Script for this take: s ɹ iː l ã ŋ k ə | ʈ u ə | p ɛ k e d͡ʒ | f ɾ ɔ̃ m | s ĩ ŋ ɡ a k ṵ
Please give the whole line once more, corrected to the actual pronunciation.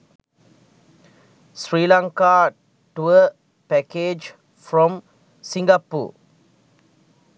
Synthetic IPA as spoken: s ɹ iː l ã ŋ k a | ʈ u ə | p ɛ k e d͡ʒ | f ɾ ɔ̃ m | s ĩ ŋ ɡ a p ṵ